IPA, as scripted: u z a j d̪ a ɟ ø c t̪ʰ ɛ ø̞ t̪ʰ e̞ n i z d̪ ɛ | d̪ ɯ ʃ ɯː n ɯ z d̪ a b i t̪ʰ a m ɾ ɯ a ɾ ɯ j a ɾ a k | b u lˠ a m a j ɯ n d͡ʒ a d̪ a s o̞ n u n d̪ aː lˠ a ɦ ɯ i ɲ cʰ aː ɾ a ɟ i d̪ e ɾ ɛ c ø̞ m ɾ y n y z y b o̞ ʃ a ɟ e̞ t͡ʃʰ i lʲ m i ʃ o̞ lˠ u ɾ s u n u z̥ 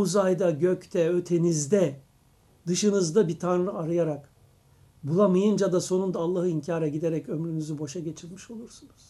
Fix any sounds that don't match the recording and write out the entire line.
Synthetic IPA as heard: u z a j d̪ a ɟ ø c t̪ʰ ɛ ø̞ t̪ʰ e̞ n i z d̪ ɛ | d̪ ɯ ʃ ɯ n ɯ z d̪ a b i t̪ʰ a n ɾ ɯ a ɾ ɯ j a ɾ a k | b u lˠ a m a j ɯ n d͡ʒ a d̪ a s o̞ n u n d̪ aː lˠː a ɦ ɯ i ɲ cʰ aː ɾ a ɟ i d̪ e ɾ ɛ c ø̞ m ɾ y n y z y b o̞ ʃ a ɟ e̞ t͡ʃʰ i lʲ m i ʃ o̞ lˠ u ɾ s u n u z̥